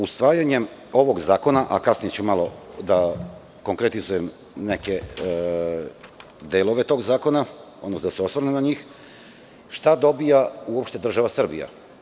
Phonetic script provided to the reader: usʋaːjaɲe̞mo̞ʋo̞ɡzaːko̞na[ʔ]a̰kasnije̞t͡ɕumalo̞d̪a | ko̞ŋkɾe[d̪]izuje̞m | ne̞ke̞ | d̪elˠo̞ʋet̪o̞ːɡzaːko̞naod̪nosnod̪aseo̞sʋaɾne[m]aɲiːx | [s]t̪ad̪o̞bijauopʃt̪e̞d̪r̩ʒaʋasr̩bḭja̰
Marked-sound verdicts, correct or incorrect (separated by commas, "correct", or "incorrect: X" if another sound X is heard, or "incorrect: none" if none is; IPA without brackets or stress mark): correct, incorrect: t̪, incorrect: n, incorrect: ʃ